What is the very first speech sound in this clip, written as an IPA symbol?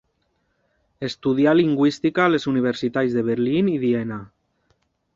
e̞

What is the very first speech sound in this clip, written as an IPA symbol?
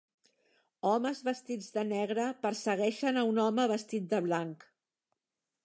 ɔ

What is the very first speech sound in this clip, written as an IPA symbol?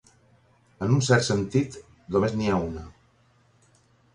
ə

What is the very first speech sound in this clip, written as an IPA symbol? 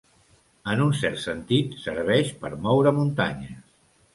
ə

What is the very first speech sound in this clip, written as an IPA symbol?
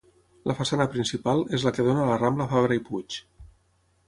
l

